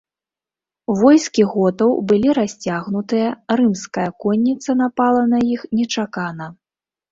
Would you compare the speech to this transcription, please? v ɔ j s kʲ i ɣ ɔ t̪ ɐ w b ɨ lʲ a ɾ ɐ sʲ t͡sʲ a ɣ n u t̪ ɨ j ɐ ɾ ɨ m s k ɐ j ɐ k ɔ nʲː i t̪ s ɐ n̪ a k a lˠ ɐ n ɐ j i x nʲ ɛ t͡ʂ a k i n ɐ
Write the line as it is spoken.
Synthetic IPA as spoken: v ɔ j s kʲ i ɣ ɔ t̪ ɐ w b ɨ lʲ i ɾ a sʲ t͡sʲ a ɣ n u t̪ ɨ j ɐ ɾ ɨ m s k ɐ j ɐ k ɔ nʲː i t̪ s ɐ n̪ a p a lˠ ɐ n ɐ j i x nʲ ɛ t͡ʂ a k a n ɐ